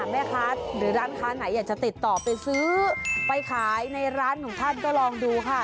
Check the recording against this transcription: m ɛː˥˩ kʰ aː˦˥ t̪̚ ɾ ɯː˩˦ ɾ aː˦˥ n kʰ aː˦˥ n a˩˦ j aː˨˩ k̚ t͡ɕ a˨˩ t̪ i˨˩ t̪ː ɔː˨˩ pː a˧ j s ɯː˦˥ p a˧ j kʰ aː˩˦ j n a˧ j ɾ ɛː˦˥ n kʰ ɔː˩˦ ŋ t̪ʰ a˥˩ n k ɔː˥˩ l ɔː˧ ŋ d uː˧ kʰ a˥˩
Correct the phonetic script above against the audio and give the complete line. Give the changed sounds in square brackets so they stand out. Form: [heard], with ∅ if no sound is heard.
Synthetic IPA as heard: m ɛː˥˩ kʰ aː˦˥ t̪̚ ɾ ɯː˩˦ ɾ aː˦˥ n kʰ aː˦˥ n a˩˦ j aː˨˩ k̚ t͡ɕ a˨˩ t̪ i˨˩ t̪ː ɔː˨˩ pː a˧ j s ɯː˦˥ p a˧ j kʰ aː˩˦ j n a˧ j ɾ [aː˦˥] n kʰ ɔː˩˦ ŋ t̪ʰ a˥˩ n k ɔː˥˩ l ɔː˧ ŋ d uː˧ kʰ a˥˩